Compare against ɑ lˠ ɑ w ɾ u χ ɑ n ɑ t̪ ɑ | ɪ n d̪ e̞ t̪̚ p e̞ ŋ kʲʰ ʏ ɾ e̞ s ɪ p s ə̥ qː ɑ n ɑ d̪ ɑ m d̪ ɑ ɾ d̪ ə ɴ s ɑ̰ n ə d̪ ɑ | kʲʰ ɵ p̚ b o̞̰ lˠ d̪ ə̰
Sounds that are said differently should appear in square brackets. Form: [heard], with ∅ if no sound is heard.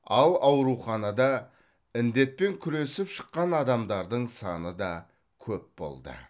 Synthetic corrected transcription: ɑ lˠ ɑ w ɾ u χ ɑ n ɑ [d̪] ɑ | ɪ n d̪ e̞ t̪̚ p e̞ ŋ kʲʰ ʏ ɾ e̞ s ɪ p [ʃ] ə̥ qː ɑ n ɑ d̪ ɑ m d̪ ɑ ɾ d̪ ə ɴ s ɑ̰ n ə d̪ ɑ | kʲʰ ɵ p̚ b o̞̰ lˠ d̪ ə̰